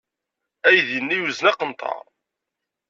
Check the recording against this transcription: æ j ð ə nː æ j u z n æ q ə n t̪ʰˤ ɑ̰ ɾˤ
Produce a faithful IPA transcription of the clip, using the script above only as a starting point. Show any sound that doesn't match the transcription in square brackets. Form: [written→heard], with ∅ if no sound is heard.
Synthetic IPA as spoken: æ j ð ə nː [æ→i] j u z n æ q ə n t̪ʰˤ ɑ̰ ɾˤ